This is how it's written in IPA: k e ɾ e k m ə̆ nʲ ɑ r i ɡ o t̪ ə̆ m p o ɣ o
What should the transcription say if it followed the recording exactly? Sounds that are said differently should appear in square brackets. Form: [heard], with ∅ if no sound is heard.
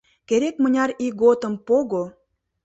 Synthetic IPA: k e ɾ e k m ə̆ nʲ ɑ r i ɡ o t̪ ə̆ m p o ɣ o